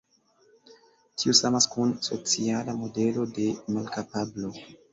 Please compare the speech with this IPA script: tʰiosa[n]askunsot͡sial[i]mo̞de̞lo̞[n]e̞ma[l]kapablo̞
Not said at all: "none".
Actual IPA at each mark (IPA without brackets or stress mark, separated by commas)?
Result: m, a, d, l